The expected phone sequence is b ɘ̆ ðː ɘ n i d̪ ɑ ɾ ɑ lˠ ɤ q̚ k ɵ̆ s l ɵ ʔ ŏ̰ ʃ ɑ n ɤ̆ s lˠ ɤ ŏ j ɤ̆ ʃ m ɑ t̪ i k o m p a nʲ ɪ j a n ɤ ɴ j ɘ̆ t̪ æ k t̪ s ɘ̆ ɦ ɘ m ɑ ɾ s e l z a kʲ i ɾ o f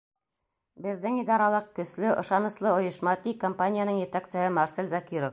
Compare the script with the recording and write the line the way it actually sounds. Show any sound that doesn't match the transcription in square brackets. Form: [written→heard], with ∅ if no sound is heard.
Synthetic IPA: b ɘ̆ ðː ɘ [n→ŋ] i d̪ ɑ ɾ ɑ lˠ ɤ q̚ k ɵ̆ s l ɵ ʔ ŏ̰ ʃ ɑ n ɤ̆ s lˠ ɤ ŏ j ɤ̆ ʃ m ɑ t̪ i k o m p a nʲ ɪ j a n ɤ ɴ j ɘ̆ t̪ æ k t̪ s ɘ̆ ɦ ɘ m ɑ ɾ s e l z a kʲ i ɾ o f